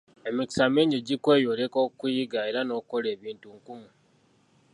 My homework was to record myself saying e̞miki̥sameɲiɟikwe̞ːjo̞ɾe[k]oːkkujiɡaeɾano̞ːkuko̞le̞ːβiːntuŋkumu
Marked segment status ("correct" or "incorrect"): correct